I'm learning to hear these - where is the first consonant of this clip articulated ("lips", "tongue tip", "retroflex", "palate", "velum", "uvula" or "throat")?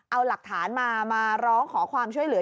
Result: throat